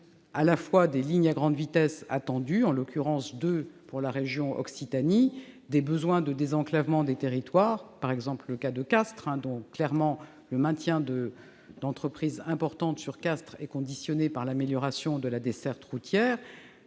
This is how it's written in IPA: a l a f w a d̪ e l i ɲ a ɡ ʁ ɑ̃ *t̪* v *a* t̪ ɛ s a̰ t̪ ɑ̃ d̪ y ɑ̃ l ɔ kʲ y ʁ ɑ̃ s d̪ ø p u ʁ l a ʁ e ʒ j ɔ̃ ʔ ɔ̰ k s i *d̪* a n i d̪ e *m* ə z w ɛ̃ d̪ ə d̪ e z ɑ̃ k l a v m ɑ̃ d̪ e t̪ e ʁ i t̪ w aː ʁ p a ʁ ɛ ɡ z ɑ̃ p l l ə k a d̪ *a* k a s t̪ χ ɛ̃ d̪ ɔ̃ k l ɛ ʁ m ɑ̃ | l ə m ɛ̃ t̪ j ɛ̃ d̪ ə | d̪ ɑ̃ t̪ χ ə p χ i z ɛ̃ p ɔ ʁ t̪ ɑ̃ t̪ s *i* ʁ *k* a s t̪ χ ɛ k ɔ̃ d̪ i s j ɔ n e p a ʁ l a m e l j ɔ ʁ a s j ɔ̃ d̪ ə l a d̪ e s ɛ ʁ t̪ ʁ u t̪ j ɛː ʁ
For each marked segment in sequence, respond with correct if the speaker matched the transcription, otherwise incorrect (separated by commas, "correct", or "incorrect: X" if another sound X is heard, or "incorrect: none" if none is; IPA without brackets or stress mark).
incorrect: d̪, incorrect: i, incorrect: t̪, incorrect: b, incorrect: ə, incorrect: y, correct